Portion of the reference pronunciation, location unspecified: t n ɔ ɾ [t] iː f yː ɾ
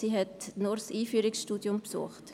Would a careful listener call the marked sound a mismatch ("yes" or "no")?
yes